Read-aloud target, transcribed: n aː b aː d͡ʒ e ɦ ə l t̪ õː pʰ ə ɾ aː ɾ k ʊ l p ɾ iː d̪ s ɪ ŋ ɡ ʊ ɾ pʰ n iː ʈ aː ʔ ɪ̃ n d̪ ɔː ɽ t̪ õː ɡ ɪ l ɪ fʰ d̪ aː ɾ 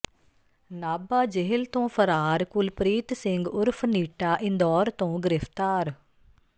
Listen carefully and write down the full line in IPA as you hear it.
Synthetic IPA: n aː b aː d͡ʒ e ɦ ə l t̪ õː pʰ ə ɾ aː ɾ k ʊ l p ɾ iː t̪ s ɪ ŋ ɡ ʊ ɾ pʰ n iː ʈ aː ʔ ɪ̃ n d̪ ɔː ɾ t̪ õː ɡ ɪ ɾ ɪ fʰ t̪ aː ɾ